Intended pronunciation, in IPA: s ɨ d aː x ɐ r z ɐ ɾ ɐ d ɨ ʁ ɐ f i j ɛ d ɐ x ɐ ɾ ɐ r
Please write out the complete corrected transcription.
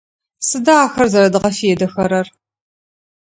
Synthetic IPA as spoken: s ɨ d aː x ɐ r z ɐ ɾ ɐ d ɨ ʁ ɐ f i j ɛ d ɐ x ɐ ɾ ɐ r